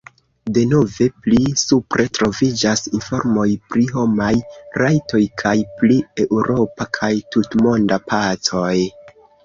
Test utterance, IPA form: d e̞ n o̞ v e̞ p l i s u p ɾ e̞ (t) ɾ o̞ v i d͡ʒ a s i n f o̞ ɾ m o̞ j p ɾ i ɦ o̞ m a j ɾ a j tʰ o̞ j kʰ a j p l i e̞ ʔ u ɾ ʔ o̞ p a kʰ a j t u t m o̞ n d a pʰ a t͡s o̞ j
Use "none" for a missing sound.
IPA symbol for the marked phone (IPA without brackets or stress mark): t